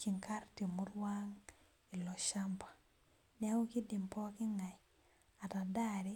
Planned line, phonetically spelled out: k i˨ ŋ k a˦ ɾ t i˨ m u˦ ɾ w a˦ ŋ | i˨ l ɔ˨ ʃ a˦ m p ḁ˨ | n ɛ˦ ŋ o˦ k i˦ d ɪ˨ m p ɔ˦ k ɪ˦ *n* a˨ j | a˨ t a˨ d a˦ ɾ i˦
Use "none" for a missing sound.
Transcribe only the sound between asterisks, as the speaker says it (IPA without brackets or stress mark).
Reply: ŋ